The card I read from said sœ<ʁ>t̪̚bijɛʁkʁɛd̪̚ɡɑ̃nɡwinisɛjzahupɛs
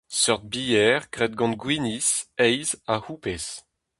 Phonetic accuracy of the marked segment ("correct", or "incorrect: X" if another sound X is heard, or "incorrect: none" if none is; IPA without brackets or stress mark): correct